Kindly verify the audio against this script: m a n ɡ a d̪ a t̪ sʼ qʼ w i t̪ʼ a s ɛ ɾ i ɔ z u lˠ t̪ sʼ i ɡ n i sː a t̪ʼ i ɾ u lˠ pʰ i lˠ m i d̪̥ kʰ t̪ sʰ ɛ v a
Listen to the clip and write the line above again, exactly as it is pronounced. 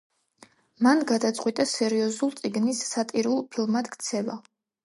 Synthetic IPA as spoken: m a n ɡ a d̪ a t̪ sʼ qʼ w i t̪ʼ a s ɛ ɾ i ɔ z u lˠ t̪ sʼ i ɡ n i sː a t̪ʼ i ɾ u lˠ pʰ i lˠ m a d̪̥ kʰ t̪ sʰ ɛ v a

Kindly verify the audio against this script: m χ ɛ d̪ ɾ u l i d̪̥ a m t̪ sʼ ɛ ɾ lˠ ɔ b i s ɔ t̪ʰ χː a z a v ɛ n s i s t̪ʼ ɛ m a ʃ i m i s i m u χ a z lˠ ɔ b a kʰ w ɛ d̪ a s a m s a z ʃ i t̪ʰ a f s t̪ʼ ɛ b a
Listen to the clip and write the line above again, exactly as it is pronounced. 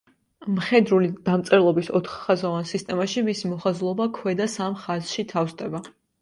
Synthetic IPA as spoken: m χ ɛ d̪ ɾ u l i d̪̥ a m t̪ sʼ ɛ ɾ lˠ ɔ b i s ɔ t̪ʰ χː a z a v a n s i s t̪ʼ ɛ m a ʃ i m i s i m ɔ χ a z lˠ ɔ b a kʰ w ɛ d̪ a s a m χ a z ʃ i t̪ʰ a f s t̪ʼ ɛ b a

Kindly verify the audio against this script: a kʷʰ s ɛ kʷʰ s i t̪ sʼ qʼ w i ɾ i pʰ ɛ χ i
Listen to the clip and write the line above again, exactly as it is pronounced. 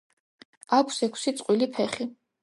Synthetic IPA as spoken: a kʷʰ s ɛ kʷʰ s i t̪ sʼ qʼ w i l i pʰ ɛ χ i

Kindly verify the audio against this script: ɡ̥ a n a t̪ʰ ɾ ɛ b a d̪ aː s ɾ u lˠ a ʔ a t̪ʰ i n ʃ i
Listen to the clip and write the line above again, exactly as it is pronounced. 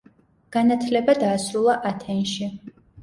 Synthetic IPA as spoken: ɡ̥ a n a t̪ʰ l ɛ b a d̪ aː s ɾ u lˠ a ʔ a t̪ʰ ɛ n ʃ i

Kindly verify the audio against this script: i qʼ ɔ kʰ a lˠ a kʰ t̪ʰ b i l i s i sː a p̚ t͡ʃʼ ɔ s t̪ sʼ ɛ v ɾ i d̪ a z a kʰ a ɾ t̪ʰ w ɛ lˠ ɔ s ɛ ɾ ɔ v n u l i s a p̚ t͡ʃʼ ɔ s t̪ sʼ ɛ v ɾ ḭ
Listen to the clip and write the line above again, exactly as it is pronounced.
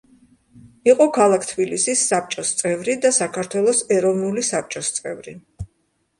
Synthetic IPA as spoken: i qʼ ɔ kʰ a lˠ a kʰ t̪ʰ b i l i s i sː a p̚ t͡ʃʼ ɔ s t̪ sʼ ɛ v ɾ i d̪ a s a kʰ a ɾ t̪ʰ w ɛ lˠ ɔ s ɛ ɾ ɔ v n u l i s a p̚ t͡ʃʼ ɔ s t̪ sʼ ɛ v ɾ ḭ

